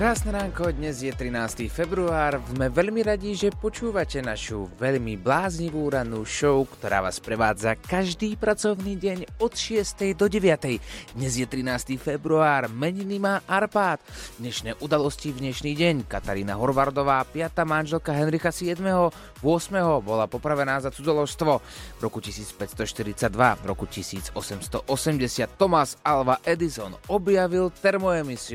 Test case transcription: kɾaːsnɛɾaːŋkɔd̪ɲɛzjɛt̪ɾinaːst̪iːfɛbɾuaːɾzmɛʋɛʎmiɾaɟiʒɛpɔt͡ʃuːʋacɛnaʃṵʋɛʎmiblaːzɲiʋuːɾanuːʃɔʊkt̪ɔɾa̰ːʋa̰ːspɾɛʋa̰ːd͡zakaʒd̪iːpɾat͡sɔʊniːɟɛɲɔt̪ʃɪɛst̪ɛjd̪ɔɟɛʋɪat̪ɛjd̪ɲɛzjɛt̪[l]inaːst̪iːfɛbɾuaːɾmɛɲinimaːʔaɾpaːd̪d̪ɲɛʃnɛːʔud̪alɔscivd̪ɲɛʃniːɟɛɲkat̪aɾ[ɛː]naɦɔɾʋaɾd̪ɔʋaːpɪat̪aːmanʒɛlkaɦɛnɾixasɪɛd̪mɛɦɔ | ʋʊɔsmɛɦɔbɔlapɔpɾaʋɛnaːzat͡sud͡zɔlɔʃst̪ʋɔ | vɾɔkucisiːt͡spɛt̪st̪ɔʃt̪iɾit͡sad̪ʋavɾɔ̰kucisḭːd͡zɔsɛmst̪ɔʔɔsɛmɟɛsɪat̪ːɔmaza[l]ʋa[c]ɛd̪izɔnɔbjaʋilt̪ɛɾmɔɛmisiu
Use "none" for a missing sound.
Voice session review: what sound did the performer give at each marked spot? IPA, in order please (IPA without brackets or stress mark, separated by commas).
ɾ, iː, l, ʔ